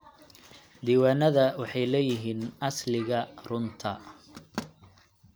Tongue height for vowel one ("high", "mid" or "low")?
high